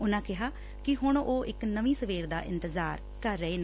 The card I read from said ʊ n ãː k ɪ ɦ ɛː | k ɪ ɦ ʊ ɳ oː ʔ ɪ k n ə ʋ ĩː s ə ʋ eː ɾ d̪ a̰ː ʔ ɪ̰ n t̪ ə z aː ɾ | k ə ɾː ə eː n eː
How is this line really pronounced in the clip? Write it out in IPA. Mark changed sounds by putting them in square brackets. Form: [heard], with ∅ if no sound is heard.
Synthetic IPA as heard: ʊ n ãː k ɪ ɦ [aː] | k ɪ ɦ ʊ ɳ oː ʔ ɪ k n ə ʋ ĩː s ə ʋ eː ɾ d̪ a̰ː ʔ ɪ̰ n t̪ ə z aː ɾ | k ə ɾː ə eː n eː